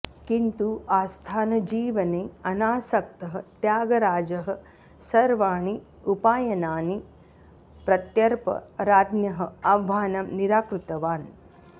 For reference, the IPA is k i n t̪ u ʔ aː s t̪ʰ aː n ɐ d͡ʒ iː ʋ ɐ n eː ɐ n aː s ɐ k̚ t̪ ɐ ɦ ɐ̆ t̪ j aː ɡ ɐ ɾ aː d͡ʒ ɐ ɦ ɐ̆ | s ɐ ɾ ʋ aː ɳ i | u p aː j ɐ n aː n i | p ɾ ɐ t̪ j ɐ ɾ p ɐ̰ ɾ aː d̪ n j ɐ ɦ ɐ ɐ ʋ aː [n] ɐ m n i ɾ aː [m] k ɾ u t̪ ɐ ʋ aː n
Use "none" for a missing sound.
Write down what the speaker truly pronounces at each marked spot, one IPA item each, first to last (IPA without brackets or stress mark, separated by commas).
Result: n, none